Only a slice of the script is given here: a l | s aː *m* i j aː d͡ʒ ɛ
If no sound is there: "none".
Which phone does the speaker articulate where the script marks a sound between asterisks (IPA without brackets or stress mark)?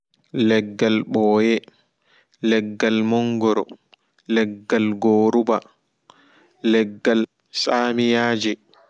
m